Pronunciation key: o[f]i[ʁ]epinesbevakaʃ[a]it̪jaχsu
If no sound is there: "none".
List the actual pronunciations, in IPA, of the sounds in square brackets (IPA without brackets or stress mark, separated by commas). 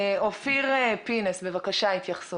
f, ʁ, a